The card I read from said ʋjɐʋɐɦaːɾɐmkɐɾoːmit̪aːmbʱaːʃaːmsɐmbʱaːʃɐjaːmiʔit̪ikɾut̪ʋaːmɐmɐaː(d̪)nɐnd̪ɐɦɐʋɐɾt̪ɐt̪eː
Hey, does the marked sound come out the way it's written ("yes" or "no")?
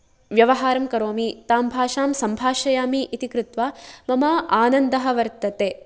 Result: no